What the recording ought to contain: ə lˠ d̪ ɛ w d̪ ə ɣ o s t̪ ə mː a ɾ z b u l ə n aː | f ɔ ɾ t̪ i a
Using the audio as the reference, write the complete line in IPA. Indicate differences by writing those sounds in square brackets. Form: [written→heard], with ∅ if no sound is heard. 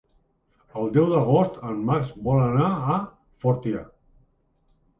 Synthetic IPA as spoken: ə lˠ d̪ ɛ w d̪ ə ɣ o s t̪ ə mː a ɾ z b [u→ɔ] l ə n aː | f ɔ ɾ t̪ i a